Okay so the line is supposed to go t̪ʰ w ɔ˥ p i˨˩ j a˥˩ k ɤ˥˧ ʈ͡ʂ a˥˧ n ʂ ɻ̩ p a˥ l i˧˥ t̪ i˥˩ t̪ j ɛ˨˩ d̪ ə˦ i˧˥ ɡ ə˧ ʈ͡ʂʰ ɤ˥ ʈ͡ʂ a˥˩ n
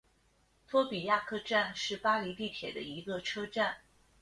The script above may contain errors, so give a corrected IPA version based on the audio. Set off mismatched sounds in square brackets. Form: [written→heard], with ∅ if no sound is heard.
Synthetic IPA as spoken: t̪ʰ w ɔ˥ p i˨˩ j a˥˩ [k→kʰ] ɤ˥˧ ʈ͡ʂ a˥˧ n ʂ ɻ̩ p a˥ l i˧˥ t̪ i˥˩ [t̪→t̪ʰ] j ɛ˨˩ d̪ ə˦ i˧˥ ɡ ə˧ ʈ͡ʂʰ ɤ˥ ʈ͡ʂ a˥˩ n